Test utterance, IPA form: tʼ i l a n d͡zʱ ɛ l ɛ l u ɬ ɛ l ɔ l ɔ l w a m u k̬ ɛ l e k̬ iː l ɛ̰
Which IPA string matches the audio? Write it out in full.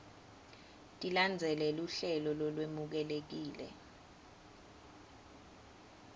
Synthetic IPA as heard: tʼ i l a n d͡zʱ ɛ l ɛ l u ɬ ɛ l ɔ l ɔ l w e m u k̬ ɛ l e k̬ iː l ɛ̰

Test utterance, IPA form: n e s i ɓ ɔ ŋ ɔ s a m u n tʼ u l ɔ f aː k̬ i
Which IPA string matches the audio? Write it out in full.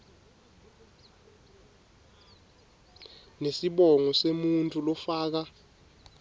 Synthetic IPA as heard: n e s i ɓ ɔ ŋ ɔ s e m u n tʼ u l ɔ f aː k̬ a

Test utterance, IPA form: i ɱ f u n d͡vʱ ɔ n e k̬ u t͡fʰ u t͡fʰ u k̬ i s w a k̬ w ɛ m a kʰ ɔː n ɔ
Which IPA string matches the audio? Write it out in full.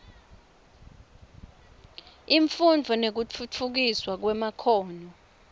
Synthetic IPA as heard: i ɱ f u n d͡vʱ ɔ n e k̬ u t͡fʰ u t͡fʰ u k̬ i s w a k̬ w ɛ m a kʰ ɔː n ɔ

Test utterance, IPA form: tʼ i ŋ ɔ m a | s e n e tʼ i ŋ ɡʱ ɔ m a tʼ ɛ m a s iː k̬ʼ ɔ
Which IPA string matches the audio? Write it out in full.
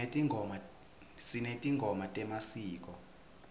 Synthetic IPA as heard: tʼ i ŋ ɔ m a | s i n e tʼ i ŋ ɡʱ ɔ m a tʼ ɛ m a s iː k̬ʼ ɔ

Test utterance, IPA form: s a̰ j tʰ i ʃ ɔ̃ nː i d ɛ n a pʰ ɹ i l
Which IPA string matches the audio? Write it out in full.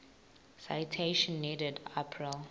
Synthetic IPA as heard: s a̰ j tʰ e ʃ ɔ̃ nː i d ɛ d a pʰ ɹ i l

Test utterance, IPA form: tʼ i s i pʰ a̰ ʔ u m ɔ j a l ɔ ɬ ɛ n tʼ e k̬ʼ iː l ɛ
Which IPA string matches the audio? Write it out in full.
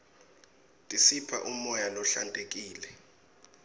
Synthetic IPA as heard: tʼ i s i pʰ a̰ ʔ u m ɔ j a l ɔ ɬ a n tʼ e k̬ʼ iː l ɛ

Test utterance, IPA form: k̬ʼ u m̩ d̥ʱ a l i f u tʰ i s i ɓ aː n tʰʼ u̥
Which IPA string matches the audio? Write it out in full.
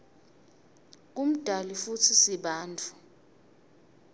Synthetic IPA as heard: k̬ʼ u m̩ d̥ʱ a l i f u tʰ i s i ɓ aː n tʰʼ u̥

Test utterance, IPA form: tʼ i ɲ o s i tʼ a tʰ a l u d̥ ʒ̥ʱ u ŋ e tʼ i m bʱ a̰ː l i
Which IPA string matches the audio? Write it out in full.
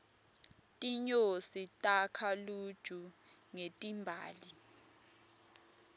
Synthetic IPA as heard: tʼ i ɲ o s i tʼ a kʰ a l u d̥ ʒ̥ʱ u ŋ e tʼ i m bʱ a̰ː l i

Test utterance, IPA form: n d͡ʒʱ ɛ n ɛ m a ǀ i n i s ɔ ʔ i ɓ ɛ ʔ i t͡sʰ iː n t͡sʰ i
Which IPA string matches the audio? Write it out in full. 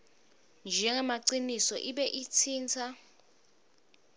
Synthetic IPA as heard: n d͡ʒʱ ɛ ŋ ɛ m a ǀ i n i s ɔ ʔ i ɓ ɛ ʔ i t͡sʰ iː n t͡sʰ a

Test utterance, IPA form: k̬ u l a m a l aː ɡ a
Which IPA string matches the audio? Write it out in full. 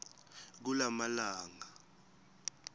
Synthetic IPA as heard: k̬ u l a m a l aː ŋ a

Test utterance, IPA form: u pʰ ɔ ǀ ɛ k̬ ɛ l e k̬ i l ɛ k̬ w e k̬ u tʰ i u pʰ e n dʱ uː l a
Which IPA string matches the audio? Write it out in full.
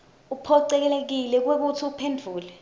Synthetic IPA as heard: u pʰ ɔ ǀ ɛ k̬ ɛ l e k̬ i l ɛ k̬ w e k̬ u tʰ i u pʰ e n dʱ uː l ɛ

